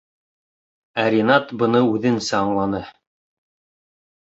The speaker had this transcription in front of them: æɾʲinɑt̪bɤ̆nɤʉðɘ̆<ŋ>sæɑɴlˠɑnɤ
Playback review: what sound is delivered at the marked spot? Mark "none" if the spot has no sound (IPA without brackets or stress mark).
n